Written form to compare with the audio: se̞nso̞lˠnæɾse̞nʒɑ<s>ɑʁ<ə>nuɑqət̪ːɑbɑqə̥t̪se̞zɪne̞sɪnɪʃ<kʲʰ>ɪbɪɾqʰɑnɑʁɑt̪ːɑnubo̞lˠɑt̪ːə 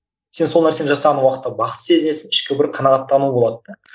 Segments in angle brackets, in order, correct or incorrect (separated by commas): correct, incorrect, incorrect